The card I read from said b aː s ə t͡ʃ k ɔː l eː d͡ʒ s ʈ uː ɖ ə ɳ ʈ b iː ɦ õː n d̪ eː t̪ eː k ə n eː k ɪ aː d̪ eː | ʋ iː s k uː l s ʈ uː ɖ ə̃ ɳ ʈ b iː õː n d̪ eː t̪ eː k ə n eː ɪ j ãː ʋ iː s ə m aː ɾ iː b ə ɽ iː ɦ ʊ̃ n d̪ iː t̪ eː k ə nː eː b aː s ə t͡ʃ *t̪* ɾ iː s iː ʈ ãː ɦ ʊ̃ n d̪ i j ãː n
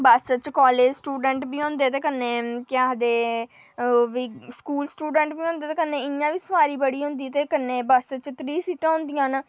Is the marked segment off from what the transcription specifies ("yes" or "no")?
no